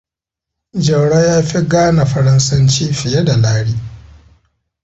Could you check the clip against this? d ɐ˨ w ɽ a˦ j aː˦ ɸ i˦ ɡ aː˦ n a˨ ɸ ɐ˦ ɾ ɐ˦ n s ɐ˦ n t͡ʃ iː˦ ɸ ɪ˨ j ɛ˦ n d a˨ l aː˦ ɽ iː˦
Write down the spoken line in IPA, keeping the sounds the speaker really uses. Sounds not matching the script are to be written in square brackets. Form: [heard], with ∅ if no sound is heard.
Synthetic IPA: [d͡ʒ] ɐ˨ w ɽ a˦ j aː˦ ɸ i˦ ɡ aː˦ n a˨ ɸ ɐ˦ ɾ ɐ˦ n s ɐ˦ n t͡ʃ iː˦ ɸ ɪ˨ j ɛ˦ [∅] d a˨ l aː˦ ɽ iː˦